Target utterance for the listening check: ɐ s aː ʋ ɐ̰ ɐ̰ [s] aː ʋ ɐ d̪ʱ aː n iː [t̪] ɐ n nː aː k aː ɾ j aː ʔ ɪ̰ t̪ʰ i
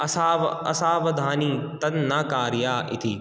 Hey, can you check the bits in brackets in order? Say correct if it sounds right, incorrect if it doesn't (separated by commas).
correct, correct